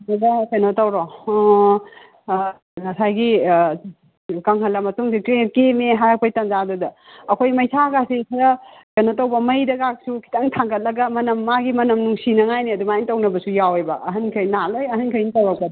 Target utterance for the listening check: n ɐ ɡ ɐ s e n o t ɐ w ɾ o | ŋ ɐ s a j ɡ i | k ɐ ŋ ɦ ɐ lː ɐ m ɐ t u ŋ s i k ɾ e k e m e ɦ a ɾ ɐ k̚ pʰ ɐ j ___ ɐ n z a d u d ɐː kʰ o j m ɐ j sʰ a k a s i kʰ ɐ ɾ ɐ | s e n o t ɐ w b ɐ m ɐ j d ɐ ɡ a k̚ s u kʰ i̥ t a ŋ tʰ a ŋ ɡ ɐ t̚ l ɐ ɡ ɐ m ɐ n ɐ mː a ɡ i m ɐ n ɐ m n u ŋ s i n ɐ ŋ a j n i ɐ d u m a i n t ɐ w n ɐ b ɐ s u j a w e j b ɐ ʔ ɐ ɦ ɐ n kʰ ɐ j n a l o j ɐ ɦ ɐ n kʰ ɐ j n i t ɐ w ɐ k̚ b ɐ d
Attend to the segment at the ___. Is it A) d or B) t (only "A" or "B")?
B